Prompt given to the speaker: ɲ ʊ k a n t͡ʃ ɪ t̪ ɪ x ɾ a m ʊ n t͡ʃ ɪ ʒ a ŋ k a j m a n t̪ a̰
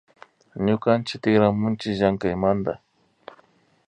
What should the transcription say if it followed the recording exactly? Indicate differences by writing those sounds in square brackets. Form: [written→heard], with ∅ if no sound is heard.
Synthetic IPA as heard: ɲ ʊ k a n t͡ʃ ɪ t̪ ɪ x ɾ a m ʊ n t͡ʃ ɪ ʒ a ŋ k a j m a n [t̪→d̪] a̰